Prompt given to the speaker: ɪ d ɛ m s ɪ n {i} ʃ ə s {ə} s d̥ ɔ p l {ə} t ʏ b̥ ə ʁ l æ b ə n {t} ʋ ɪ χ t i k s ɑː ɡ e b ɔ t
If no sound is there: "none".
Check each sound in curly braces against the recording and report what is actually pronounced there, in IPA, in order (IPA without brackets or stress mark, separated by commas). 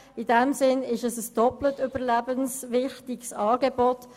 ɪ, ə, ə, s